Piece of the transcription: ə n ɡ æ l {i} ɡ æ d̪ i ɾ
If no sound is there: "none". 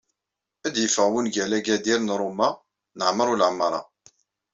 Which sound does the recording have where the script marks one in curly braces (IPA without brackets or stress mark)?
æ